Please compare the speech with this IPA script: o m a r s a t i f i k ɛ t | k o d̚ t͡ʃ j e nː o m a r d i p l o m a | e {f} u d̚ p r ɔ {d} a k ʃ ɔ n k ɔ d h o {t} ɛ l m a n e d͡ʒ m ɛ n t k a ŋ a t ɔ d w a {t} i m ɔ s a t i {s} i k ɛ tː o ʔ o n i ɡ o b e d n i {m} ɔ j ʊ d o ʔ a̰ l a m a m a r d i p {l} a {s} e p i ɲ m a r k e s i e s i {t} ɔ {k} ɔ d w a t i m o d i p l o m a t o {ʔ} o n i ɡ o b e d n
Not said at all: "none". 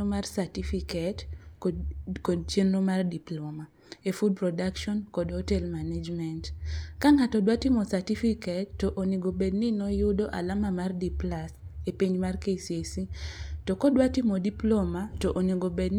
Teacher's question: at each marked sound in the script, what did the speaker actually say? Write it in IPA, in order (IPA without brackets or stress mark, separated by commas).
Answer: f, d, t, t, f, n, l, s, t, k, ʔ